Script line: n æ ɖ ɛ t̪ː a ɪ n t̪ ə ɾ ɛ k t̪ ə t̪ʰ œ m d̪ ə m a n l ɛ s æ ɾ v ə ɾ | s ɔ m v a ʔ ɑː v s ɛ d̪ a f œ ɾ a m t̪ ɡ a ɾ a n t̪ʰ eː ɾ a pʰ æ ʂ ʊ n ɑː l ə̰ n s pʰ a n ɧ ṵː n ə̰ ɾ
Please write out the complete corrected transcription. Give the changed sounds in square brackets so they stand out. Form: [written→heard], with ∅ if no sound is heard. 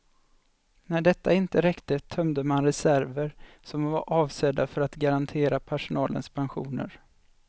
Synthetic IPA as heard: n æ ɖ ɛ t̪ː a ɪ n t̪ ə ɾ ɛ k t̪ ə t̪ʰ œ m d̪ ə m a n [l→ɾ] ɛ s æ ɾ v ə ɾ | s ɔ m v a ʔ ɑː v s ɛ d̪ a f œ ɾ a [m→∅] t̪ ɡ a ɾ a n t̪ʰ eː ɾ a pʰ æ ʂ ʊ n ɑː l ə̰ n s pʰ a n ɧ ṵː n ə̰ ɾ